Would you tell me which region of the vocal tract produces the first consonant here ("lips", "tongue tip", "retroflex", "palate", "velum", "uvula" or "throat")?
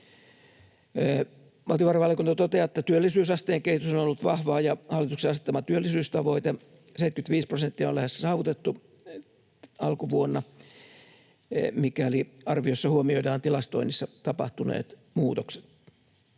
lips